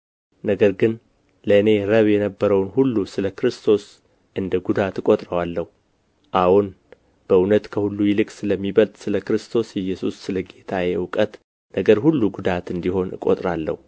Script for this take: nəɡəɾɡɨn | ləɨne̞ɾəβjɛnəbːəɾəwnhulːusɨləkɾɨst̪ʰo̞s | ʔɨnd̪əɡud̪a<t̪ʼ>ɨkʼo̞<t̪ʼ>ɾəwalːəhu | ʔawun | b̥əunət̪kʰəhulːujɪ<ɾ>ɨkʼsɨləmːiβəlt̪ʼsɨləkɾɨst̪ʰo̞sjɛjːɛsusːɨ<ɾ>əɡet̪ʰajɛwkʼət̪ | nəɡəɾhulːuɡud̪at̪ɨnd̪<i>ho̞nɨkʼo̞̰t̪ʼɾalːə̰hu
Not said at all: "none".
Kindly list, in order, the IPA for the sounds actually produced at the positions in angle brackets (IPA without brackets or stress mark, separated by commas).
t̪, t̪ʼ, l, l, i